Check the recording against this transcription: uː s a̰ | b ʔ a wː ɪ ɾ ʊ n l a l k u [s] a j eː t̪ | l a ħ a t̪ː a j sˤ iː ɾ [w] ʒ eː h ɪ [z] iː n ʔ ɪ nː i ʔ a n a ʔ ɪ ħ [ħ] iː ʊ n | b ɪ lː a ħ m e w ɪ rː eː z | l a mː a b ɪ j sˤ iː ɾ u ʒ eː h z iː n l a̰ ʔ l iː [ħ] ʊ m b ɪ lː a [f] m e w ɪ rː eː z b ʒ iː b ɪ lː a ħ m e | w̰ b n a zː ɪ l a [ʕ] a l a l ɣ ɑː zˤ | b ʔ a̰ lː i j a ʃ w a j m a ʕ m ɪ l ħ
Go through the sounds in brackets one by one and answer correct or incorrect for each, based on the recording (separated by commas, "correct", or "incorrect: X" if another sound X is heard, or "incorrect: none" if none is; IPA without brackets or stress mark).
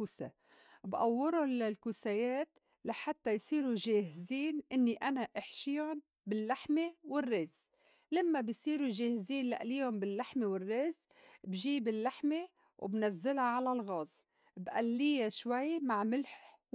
correct, incorrect: u, correct, incorrect: ʃ, incorrect: h, incorrect: ħ, correct